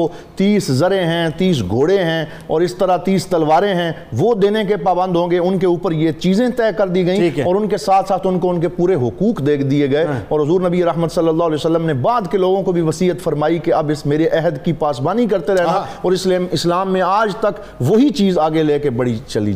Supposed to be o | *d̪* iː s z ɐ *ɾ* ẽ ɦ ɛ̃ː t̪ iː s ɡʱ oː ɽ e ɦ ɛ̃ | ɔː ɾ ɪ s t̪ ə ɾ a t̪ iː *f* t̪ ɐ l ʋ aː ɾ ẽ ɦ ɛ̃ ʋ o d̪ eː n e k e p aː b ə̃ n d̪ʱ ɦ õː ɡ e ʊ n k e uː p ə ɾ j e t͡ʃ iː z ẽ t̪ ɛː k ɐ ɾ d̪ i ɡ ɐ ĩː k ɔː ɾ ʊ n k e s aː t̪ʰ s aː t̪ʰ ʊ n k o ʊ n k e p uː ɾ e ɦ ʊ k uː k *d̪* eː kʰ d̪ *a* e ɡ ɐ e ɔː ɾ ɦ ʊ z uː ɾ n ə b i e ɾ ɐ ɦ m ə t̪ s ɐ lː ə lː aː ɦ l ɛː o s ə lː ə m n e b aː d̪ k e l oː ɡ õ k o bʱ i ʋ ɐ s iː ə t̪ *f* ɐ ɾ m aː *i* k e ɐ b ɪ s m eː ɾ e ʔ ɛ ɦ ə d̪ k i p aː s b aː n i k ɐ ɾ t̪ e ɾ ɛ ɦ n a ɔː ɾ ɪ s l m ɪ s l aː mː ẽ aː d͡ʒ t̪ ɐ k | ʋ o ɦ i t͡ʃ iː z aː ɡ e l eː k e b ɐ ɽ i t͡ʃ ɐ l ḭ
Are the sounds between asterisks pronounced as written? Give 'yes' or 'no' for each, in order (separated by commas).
no, yes, no, yes, no, yes, yes